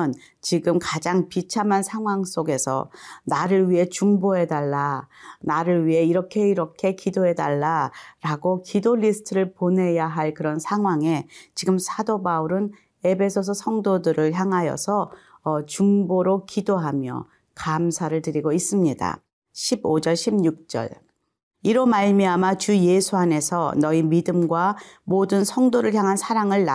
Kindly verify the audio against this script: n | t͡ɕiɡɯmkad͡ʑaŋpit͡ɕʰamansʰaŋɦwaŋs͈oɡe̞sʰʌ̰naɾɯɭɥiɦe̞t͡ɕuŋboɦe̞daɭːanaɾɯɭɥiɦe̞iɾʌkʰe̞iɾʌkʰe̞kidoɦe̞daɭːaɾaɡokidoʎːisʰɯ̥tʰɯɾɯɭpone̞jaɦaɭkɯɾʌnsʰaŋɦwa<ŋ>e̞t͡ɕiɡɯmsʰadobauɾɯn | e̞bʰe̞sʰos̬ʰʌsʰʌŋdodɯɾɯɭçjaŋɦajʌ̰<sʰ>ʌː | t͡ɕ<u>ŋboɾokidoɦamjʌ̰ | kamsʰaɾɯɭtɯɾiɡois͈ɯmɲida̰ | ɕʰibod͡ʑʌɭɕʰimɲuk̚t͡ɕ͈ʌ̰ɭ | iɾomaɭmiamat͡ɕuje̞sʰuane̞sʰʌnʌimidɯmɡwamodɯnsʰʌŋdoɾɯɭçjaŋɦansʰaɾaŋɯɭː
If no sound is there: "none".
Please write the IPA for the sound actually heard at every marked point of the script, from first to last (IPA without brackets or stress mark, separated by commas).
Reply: ŋ, sʰ, u